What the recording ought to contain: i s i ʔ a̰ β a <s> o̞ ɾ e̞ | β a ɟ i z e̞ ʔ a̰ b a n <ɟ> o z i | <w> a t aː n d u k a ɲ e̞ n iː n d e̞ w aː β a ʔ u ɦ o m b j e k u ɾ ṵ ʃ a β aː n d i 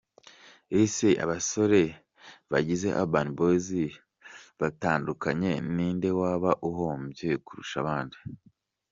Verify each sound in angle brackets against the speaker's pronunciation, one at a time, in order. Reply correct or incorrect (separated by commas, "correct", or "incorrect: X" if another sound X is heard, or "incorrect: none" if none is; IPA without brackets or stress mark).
correct, incorrect: b, incorrect: β